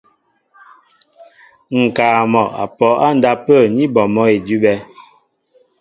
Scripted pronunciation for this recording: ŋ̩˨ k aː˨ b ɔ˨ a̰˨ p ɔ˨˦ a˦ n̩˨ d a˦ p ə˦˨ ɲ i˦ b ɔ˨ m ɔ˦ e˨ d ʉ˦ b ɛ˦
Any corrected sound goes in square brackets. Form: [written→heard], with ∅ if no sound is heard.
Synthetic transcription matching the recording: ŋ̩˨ k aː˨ [b→m] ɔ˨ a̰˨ p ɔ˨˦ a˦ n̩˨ d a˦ p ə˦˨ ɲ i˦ b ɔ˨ m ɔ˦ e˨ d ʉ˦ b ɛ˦